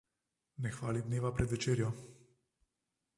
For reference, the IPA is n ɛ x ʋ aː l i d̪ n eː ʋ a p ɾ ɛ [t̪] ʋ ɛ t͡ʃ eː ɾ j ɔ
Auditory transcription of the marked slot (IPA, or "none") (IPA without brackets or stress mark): d̪